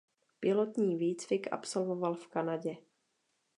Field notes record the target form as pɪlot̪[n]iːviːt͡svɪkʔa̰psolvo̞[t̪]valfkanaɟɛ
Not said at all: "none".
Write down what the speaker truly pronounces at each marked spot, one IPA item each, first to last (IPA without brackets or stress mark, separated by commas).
ɲ, none